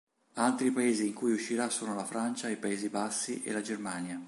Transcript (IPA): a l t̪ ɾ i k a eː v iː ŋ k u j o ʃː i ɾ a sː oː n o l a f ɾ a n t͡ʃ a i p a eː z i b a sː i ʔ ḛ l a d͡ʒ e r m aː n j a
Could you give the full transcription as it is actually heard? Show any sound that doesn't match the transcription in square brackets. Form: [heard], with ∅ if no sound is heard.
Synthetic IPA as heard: a l t̪ ɾ i [p] a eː [z] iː ŋ k u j [u] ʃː i ɾ a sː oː n o l a f ɾ a n t͡ʃ a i p a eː z i b a sː i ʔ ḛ l a d͡ʒ e r m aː n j a